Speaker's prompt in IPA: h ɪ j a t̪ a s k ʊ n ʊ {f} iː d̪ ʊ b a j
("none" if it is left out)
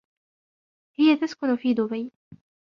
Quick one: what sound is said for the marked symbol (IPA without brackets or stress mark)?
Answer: f